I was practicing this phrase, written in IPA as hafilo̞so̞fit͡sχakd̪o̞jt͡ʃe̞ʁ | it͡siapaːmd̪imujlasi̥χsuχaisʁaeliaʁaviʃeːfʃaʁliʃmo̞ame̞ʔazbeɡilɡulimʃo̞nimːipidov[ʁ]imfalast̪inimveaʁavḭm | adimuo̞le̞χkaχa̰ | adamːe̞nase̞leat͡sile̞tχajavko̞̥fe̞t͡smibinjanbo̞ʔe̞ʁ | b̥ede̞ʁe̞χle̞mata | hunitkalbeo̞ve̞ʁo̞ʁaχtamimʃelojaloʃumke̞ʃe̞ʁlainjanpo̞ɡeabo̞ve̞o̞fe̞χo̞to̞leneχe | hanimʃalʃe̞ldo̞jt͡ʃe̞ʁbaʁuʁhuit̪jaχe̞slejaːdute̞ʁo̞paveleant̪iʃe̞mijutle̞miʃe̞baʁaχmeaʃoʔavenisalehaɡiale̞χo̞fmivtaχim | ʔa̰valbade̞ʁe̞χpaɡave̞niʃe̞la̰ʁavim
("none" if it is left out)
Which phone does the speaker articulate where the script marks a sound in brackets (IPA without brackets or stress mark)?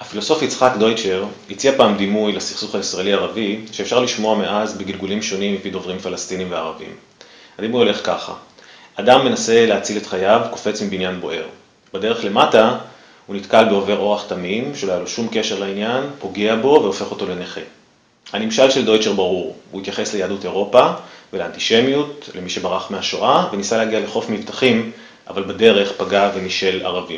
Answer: ʁ